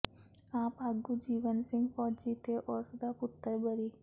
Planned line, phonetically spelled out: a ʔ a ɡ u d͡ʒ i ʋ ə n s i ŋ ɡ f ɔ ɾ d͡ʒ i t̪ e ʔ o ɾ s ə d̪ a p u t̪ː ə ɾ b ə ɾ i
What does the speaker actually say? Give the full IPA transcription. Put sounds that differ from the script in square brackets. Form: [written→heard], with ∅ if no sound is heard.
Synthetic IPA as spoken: a [ʔ→p] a ɡ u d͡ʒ i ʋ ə n s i ŋ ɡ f ɔ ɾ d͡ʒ i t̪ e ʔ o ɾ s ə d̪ a p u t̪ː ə ɾ b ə ɾ i